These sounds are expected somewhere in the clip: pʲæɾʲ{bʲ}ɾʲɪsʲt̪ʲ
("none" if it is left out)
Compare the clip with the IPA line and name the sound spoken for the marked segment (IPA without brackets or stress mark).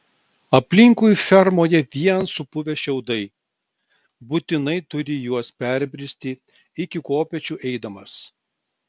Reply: bʲ